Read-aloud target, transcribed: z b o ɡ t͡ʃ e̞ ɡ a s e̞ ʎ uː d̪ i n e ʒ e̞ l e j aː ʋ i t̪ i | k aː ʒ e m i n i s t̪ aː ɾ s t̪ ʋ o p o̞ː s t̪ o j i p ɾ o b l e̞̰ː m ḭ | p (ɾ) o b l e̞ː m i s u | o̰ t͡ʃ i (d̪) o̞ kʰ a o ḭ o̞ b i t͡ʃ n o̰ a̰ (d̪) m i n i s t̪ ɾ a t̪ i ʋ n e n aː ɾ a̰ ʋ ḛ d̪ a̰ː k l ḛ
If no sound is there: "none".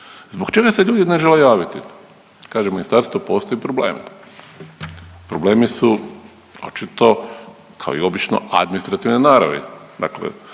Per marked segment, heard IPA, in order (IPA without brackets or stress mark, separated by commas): ɾ, t̪, d̪